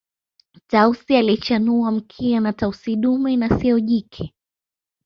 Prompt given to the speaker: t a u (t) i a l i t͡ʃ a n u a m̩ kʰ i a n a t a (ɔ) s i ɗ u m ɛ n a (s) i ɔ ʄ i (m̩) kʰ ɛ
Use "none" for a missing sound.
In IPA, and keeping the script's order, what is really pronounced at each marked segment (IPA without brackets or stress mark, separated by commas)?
s, u, s, none